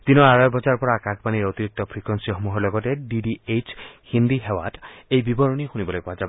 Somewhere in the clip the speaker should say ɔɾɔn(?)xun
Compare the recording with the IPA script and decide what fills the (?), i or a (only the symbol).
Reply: i